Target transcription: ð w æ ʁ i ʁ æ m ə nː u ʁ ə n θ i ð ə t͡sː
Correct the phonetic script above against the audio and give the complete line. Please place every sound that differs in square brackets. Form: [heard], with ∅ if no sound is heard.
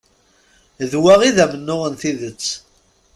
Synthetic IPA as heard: ð w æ ʁ i [ð] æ m ə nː [ʊ] ʁ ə n θ i ð ə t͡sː